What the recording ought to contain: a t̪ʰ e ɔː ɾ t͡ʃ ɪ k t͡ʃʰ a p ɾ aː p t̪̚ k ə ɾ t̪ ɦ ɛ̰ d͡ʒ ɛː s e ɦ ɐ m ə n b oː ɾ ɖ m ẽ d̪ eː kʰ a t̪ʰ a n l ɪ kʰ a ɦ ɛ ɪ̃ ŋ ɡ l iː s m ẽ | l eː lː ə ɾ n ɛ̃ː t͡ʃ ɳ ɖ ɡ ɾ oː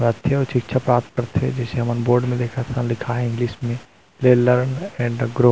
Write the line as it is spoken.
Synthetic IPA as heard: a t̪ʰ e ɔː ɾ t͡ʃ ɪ k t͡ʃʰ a p ɾ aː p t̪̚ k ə ɾ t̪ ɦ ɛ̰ d͡ʒ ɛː s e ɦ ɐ m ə n b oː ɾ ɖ m ẽ d̪ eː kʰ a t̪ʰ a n l ɪ kʰ a ɦ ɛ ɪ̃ ŋ ɡ l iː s m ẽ | l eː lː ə ɾ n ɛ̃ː ɳ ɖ ɡ ɾ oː